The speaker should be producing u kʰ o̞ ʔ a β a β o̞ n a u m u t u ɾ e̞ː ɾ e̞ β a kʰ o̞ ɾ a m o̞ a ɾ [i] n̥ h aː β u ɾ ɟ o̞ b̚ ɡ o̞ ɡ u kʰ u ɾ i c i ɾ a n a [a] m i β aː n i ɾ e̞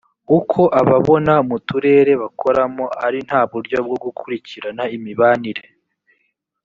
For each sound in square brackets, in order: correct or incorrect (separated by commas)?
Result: correct, incorrect